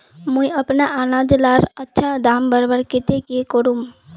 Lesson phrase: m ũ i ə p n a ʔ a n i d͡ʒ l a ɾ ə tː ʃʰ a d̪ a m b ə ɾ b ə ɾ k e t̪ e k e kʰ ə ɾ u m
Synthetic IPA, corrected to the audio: m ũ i ə p n a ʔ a n a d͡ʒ l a ɾ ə tː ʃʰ a d̪ a m b ə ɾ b ə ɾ k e t̪ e k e k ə ɾ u m

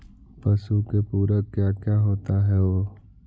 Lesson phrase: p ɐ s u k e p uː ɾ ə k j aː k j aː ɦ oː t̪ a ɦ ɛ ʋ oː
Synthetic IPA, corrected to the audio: p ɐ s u k e p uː ɾ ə k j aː k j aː ɦ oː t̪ a ɦ ɛ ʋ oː

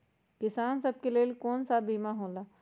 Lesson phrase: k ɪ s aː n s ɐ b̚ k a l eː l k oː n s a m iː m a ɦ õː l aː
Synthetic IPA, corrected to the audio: k ɪ s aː n s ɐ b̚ k e l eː l k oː n s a b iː m a ɦ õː l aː

